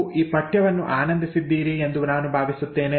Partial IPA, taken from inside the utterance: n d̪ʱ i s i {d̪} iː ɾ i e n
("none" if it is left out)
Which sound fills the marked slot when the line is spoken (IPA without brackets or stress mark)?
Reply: d̪ː